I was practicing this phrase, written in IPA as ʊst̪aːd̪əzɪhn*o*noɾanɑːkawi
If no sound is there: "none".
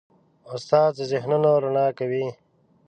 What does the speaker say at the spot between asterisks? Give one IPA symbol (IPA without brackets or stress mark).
u